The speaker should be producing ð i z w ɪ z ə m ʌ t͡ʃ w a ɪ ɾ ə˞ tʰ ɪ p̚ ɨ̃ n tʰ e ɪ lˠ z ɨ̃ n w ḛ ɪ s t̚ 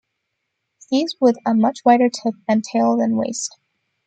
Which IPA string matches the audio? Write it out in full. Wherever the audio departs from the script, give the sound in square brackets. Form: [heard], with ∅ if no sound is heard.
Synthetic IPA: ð i z w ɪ [ð] ə m ʌ t͡ʃ w a ɪ ɾ ə˞ tʰ ɪ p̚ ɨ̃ n tʰ e ɪ lˠ [ð] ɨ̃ n w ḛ ɪ s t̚